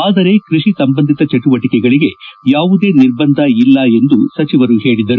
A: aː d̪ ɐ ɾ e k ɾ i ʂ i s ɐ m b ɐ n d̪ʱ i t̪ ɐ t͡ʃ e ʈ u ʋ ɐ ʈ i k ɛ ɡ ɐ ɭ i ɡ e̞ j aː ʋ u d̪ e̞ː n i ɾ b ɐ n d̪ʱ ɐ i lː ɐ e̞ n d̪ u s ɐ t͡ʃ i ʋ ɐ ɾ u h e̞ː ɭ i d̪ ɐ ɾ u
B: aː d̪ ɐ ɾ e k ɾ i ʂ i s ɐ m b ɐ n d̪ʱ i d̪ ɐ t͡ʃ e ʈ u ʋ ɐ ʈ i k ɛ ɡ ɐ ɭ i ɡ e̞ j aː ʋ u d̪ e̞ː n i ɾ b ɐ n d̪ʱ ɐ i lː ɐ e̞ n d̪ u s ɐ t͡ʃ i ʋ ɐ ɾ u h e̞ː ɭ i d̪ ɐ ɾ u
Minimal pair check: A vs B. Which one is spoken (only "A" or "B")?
A